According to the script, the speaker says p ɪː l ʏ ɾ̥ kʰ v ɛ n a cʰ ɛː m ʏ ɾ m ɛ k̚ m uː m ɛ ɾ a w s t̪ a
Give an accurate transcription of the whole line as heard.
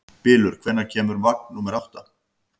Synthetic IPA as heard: p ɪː l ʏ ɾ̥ kʰ v ɛ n a cʰ ɛː m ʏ ɾ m a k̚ n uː m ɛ ɾ a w h t̪ a

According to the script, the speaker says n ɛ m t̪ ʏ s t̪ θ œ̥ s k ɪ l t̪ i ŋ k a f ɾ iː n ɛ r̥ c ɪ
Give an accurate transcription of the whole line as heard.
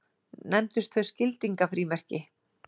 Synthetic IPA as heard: n ɛ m t̪ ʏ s t̪ θ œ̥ s c ɪ l t̪ i ŋ k a f ɾ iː m ɛ r̥ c ɪ

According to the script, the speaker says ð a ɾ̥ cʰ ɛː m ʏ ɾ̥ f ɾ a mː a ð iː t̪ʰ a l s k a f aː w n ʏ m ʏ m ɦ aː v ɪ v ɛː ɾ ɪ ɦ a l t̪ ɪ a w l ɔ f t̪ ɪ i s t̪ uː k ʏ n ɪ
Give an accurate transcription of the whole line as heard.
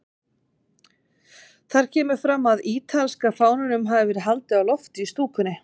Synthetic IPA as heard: θ a ɾ̥ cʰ ɛː m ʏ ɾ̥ f ɾ a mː a ð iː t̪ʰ a l s k a f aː w n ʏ n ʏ m ɦ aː v ɪ v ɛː ɾ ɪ ɦ a l t̪ ɪ a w l ɔ f t̪ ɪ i s t̪ uː k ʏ n ɪ

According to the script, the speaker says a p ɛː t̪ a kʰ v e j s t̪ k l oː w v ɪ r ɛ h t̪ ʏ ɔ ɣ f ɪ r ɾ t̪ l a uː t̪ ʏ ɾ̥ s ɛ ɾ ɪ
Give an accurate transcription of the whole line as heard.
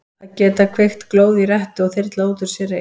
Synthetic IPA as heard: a c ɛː t̪ a kʰ v e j x t̪ k l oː w ð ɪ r ɛ h t̪ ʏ ɔ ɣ θ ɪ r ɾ t̪ l a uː t̪ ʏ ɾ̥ s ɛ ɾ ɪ

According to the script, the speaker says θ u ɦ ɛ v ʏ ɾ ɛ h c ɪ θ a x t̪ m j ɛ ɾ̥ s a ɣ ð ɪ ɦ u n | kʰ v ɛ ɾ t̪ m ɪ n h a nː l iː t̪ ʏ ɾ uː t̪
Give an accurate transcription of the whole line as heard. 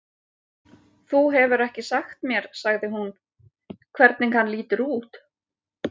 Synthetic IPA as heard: θ u ɦ ɛ v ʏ ɾ ɛ h c ɪ s a x t̪ m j ɛ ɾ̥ s a ɣ ð ɪ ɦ u n | kʰ v ɛ ɾ t̪ n ɪ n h a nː l iː t̪ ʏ ɾ uː t̪

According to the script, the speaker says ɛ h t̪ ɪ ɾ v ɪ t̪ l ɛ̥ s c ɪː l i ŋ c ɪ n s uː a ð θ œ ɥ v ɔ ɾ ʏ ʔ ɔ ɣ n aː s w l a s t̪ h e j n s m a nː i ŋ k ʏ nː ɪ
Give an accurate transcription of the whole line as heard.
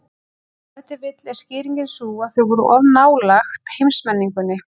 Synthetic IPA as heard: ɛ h t̪ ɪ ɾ v ɪ t̪ l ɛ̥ s c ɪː ɾ i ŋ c ɪ n s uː a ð θ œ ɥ v ɔ ɾ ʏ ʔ ɔ v n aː w l a x t̪ h e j m s m ɛ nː i ŋ k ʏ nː ɪ

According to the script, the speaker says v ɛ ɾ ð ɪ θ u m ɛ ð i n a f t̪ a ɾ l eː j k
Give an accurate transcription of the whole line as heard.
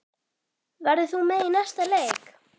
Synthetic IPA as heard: v a ɾ ð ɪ θ u m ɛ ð i n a s t̪ a l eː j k

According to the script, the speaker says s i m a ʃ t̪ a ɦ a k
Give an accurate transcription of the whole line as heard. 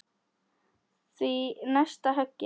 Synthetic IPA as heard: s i n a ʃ t̪ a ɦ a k

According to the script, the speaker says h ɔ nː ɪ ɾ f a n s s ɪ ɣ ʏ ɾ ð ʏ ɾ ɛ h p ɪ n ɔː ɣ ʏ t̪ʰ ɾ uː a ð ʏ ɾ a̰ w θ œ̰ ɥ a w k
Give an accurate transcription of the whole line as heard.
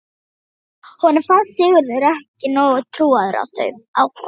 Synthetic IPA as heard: h ɔ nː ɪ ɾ f a n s s ɪ ɣ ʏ ɾ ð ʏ ɾ ɛ h c ɪ n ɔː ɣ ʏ t̪ʰ ɾ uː a ð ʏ ɾ a̰ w θ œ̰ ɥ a w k

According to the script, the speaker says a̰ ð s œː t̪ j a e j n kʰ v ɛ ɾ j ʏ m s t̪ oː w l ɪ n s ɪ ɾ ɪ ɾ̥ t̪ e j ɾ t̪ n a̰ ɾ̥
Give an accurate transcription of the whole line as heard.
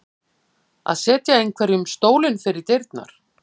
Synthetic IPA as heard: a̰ ð s ɛː t̪ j a e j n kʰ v ɛ ɾ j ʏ m s t̪ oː w l ɪ n f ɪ ɾ ɪ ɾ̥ t̪ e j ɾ t̪ n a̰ ɾ̥

